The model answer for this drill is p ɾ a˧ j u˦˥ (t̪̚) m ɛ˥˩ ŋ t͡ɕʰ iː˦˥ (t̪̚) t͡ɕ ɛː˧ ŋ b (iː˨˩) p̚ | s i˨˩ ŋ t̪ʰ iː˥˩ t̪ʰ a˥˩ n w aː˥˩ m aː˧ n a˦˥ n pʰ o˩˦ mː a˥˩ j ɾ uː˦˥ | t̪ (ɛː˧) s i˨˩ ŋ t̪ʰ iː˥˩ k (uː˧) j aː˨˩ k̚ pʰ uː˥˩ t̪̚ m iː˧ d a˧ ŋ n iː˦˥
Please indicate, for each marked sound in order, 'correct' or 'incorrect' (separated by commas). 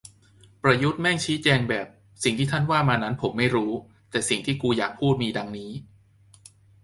correct, incorrect, incorrect, incorrect, correct